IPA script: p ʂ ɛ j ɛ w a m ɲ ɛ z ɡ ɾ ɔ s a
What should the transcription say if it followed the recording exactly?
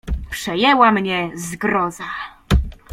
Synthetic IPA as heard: p ʂ ɛ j ɛ w a m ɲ ɛ z ɡ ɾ ɔ z a